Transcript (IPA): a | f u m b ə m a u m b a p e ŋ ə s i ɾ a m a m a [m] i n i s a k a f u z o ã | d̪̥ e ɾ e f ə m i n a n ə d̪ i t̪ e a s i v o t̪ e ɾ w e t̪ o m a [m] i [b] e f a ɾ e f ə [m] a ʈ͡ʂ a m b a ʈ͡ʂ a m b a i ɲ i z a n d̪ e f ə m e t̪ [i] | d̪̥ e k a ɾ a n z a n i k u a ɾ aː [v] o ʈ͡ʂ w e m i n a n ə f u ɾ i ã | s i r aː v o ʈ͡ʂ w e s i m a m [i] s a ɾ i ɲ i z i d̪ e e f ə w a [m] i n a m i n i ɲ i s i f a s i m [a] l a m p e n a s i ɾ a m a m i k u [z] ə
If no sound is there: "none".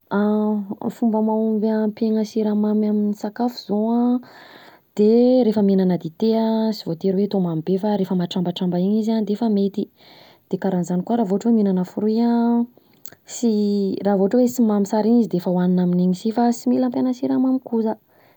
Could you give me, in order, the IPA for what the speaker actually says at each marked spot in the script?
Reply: m, m, b, m, i, v, i, n, i, z

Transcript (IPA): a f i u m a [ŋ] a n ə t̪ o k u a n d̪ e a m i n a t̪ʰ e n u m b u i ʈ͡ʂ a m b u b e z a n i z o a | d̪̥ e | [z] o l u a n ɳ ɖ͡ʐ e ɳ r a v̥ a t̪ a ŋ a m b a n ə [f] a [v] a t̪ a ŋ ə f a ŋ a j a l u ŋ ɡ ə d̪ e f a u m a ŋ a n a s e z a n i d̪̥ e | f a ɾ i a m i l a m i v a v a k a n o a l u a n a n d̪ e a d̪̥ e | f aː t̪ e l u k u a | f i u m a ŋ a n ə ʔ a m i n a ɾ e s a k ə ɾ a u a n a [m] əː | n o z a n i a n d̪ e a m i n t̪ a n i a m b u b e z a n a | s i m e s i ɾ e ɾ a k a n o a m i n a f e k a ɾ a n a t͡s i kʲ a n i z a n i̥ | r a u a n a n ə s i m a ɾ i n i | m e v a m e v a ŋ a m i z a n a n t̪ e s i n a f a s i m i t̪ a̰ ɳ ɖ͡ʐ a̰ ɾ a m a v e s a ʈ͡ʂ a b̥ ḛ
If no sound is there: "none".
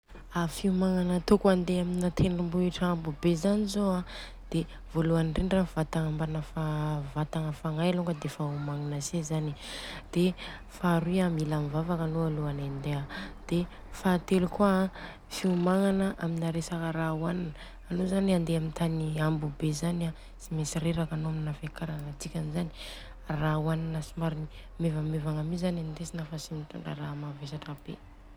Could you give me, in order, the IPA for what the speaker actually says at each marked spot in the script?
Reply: ŋ, v, f, v, n

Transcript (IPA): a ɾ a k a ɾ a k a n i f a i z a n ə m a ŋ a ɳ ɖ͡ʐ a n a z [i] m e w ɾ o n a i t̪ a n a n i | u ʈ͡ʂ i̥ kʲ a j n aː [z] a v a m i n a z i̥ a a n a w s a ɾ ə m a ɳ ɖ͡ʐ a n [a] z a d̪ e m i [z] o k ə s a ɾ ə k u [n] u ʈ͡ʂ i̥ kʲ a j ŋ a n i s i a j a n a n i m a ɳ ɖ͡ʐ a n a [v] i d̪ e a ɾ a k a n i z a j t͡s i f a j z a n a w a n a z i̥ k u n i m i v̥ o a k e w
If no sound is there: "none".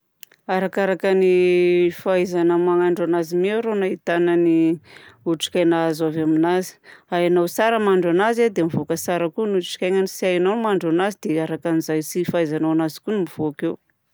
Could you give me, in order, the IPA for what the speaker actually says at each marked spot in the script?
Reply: i, z, a, v, n, z

